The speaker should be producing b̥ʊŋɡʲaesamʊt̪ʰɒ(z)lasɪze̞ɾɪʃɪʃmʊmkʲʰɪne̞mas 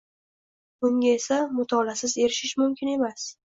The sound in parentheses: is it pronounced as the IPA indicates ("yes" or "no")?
no